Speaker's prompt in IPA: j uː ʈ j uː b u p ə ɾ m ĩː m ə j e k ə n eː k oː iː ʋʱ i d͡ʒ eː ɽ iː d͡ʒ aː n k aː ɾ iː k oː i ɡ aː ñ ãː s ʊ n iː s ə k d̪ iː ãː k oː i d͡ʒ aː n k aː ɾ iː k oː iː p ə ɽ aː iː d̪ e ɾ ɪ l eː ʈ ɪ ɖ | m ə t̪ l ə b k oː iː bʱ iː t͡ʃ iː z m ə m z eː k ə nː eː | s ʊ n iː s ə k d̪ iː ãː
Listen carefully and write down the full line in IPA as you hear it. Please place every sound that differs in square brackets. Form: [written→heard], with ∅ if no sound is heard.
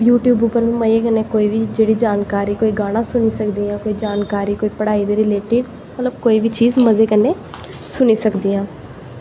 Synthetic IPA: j uː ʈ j uː b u p ə ɾ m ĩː m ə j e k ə n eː k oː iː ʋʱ i d͡ʒ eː ɽ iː d͡ʒ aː n k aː ɾ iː k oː i ɡ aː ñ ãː s ʊ n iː s ə k d̪ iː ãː k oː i d͡ʒ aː n k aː ɾ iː k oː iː p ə ɽ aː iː d̪ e ɾ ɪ l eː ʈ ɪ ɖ | m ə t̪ l ə b k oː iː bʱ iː t͡ʃ iː z m ə [m→∅] z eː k ə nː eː | s ʊ n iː s ə k d̪ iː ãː

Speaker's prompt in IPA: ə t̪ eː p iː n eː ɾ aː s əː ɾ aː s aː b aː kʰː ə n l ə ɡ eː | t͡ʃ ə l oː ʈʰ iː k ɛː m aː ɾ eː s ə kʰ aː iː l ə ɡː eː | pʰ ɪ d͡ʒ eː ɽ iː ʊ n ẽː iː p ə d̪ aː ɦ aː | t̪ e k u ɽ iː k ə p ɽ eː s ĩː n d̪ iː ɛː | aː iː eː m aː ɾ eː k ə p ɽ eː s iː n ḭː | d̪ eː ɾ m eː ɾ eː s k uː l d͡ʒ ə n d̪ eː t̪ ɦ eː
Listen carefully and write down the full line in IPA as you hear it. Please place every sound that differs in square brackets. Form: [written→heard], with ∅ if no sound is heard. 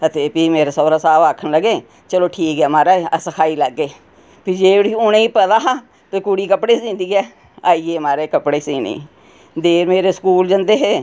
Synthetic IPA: ə t̪ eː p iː [n→m] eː ɾ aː s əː ɾ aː s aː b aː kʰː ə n l ə ɡ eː | t͡ʃ ə l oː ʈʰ iː k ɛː m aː ɾ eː s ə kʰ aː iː l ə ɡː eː | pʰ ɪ d͡ʒ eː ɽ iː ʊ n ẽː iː p ə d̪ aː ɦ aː | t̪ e k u ɽ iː k ə p ɽ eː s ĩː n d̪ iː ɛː | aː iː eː m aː ɾ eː k ə p ɽ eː s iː n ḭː | d̪ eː ɾ m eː ɾ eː s k uː l d͡ʒ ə n d̪ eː [t̪→∅] ɦ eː

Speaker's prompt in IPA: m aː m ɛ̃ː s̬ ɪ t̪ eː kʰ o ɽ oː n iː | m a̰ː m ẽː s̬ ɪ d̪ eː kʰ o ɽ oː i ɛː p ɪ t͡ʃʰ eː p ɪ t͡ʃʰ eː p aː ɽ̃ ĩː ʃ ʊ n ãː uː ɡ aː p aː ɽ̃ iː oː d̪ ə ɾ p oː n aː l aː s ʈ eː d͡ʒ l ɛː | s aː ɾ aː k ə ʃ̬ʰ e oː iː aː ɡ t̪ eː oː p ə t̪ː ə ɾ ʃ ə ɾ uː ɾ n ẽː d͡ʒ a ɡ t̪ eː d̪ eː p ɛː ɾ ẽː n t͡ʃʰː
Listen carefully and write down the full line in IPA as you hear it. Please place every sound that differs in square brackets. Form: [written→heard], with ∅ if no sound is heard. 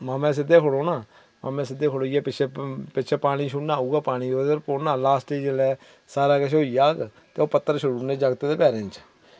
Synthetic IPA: m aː m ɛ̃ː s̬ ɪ [t̪→d̪] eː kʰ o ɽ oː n [iː→aː] | m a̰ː m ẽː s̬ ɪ d̪ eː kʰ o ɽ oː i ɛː p ɪ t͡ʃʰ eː p ɪ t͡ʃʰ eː p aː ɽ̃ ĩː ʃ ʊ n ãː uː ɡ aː p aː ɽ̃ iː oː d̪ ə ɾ p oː n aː l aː s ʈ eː d͡ʒ l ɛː | s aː ɾ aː k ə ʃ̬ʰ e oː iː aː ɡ t̪ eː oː p ə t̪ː ə ɾ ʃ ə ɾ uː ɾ n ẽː d͡ʒ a ɡ t̪ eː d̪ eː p ɛː ɾ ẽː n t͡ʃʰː

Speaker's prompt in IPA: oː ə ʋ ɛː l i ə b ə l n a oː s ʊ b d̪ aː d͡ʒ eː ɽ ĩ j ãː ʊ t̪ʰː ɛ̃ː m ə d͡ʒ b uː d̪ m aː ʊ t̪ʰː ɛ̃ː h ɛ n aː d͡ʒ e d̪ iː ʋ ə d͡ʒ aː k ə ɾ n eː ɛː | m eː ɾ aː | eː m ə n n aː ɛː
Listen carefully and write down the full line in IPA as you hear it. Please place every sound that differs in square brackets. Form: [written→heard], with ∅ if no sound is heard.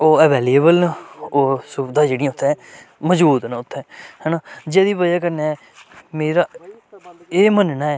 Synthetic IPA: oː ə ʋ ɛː l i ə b ə l n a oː s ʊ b d̪ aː d͡ʒ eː ɽ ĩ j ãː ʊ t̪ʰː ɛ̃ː m ə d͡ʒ b uː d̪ [m→n] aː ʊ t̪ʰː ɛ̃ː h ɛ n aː d͡ʒ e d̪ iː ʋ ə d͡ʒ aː k ə ɾ n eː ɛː | m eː ɾ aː | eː m ə n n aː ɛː

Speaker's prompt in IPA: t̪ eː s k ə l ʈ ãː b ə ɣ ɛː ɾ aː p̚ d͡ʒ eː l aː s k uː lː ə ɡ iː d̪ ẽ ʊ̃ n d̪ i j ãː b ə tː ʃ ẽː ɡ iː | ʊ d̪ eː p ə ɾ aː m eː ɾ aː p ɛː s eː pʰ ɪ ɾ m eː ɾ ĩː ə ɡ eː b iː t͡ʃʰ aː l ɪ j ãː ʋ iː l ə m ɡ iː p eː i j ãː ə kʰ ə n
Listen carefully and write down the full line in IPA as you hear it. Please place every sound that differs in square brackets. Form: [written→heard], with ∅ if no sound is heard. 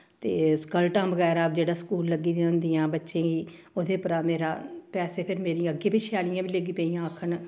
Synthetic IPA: t̪ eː s k ə l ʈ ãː b ə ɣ ɛː ɾ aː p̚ d͡ʒ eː [l→ɽ] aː s k uː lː ə ɡ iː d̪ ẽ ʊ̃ n d̪ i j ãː b ə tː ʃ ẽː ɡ iː | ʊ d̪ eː p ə ɾ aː m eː ɾ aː p ɛː s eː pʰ ɪ ɾ m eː ɾ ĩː ə ɡ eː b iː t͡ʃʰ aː l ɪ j ãː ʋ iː l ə [m→∅] ɡ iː p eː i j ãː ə kʰ ə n

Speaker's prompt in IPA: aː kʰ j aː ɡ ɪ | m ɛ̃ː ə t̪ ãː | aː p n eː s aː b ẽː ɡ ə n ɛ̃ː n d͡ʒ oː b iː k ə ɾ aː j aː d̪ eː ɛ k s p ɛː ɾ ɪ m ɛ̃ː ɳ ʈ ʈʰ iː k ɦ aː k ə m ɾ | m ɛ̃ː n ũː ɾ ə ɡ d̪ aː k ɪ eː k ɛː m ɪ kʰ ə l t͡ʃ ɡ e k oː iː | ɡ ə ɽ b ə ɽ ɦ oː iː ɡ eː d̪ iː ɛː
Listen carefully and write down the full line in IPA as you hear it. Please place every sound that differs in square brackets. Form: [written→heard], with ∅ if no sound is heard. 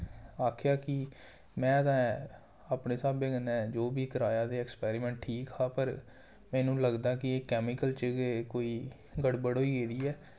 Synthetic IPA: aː kʰ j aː [ɡ→k] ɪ | m ɛ̃ː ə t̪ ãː | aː p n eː s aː b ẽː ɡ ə n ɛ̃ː [n→∅] d͡ʒ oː b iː k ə ɾ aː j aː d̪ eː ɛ k s p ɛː ɾ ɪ m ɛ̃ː ɳ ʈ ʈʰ iː k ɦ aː [k→p] ə [m→∅] ɾ | m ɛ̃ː n ũː [ɾ→l] ə ɡ d̪ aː k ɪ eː k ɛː m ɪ [kʰ→k] ə l t͡ʃ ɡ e k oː iː | ɡ ə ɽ b ə ɽ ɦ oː iː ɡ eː d̪ iː ɛː

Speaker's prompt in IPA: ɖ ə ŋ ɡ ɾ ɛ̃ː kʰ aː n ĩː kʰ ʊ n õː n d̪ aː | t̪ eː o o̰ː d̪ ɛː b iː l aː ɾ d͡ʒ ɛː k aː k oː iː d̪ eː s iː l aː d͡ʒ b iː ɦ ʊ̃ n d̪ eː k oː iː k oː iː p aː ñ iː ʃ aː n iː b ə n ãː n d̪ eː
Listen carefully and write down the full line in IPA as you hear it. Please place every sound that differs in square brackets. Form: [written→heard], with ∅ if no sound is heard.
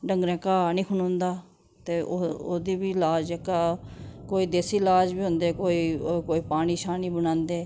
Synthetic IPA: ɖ ə ŋ ɡ ɾ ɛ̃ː [kʰ→k] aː n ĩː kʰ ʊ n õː n d̪ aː | t̪ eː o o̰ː d̪ [ɛː→iː] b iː l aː [ɾ→∅] d͡ʒ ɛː k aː k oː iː d̪ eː s iː l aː d͡ʒ b iː ɦ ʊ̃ n d̪ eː k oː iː k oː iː p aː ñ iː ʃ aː n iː b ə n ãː n d̪ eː

